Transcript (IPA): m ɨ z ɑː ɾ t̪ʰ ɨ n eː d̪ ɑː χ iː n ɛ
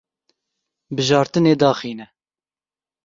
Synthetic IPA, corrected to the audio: b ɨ ʒ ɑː ɾ t̪ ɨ n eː d̪ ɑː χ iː n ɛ